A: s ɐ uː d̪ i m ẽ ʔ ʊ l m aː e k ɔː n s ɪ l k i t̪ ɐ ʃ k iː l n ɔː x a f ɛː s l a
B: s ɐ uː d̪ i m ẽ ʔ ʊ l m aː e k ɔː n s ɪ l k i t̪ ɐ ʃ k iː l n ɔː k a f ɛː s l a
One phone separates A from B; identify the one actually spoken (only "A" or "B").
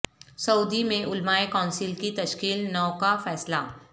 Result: B